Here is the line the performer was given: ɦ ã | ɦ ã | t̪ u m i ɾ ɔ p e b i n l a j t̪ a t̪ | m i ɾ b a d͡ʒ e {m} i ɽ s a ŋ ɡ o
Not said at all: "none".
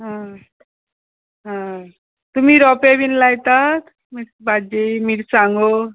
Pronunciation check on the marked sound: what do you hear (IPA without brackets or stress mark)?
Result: m